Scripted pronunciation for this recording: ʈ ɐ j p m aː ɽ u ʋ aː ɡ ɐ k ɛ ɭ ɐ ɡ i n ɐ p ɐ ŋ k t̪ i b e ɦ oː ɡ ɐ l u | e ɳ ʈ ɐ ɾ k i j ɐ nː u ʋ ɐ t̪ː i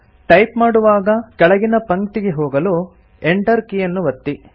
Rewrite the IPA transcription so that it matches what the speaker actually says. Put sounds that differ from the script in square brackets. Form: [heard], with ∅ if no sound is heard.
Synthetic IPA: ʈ ɐ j p m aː ɽ u ʋ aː ɡ ɐ k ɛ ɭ ɐ ɡ i n ɐ p ɐ ŋ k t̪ i [ɡ] e ɦ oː ɡ ɐ l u | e ɳ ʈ ɐ ɾ k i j ɐ nː u ʋ ɐ t̪ː i